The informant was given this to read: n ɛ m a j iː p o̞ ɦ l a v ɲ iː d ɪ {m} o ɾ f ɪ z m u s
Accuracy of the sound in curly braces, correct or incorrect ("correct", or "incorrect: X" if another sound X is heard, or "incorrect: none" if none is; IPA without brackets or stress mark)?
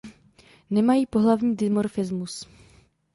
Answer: correct